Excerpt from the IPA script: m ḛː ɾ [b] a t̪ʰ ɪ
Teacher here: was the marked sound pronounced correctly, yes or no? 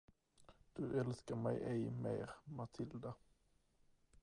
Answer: no